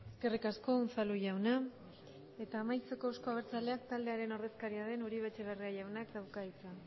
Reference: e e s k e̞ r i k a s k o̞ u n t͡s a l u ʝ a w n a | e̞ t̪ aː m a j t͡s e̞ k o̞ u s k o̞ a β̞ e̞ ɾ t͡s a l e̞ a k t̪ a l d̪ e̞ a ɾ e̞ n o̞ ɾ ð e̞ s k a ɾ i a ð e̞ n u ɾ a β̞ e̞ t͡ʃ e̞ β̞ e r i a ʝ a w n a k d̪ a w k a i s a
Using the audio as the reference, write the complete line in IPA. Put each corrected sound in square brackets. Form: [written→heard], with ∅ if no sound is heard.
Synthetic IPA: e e s k e̞ r i k a s k o̞ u n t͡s a l u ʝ a w n a | e̞ t̪ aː m a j t͡s e̞ k o̞ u s k o̞ a β̞ e̞ ɾ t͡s a l e̞ a k t̪ a l d̪ e̞ a ɾ e̞ n o̞ ɾ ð e̞ s k a ɾ i a ð e̞ n u ɾ [a→i] β̞ e̞ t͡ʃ e̞ β̞ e r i a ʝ a w n a k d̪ a w k a i [s→t͡s] a